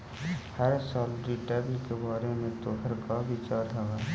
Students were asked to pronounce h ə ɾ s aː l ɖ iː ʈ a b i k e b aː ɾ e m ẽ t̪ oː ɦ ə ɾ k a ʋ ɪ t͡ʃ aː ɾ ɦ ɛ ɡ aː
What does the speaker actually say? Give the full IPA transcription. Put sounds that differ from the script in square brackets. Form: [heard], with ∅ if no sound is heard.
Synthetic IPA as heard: h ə ɾ s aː l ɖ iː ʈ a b i k e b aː ɾ e m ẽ t̪ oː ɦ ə ɾ k a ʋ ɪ t͡ʃ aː ɾ ɦ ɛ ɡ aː